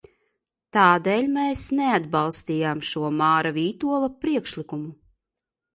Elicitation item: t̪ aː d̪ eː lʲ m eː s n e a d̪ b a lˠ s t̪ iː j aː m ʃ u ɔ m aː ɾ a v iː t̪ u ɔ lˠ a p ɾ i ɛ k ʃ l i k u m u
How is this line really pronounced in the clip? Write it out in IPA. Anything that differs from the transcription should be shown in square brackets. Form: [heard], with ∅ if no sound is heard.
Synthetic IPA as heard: t̪ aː d̪ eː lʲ m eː s n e a d̪ b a lˠ s t̪ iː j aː m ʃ u ɔ m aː ɾ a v iː t̪ u ɔ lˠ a p ɾ i ɛ k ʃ l i k u m u